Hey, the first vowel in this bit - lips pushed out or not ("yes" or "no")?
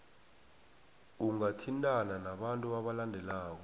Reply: yes